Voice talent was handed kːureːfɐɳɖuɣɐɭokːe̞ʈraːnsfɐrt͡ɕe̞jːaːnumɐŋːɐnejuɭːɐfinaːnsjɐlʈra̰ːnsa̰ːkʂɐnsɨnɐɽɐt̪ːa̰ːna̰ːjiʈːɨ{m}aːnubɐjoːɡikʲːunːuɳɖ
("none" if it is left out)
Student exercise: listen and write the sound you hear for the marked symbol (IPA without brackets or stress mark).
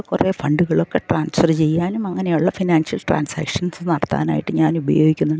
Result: ɲ